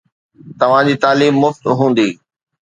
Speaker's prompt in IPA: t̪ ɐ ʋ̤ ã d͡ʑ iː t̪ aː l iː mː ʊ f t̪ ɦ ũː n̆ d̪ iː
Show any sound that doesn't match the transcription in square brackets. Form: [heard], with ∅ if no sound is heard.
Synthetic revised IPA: t̪ ɐ ʋ̤ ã d͡ʑ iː t̪ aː l iː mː ʊ f t̪ ɦ ũː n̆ d̪ iː